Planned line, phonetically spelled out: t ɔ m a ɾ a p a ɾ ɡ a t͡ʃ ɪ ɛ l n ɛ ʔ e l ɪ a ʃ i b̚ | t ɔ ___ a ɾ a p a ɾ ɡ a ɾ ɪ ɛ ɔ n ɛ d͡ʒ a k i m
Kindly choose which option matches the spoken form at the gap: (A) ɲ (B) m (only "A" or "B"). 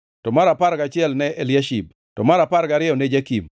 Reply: B